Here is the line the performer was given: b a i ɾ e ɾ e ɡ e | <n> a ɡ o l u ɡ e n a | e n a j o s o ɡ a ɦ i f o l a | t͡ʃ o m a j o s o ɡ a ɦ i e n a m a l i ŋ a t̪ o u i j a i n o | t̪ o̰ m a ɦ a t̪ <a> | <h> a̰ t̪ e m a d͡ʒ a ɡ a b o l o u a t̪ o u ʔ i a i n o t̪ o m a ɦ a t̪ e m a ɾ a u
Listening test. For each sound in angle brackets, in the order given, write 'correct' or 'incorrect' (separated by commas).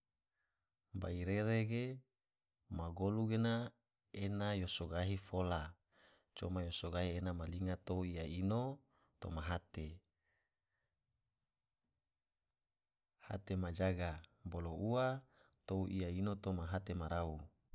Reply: incorrect, incorrect, correct